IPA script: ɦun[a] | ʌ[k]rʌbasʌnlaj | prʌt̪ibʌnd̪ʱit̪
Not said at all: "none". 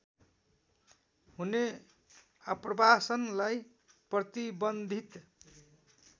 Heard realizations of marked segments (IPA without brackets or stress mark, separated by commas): e, p